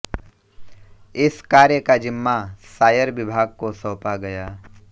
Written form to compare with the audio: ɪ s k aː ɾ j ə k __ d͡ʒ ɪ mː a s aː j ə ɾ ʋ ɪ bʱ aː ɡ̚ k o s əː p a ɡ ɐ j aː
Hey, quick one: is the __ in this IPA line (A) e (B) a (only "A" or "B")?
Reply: B